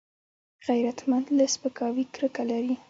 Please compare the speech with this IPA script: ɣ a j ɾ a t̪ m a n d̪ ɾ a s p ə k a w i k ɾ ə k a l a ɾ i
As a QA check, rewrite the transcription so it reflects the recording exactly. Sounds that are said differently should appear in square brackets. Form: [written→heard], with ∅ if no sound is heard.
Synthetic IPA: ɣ a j ɾ a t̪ m a n d̪ [ɾ→l] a s p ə k [a→ɑ] w i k ɾ ə k a l a ɾ i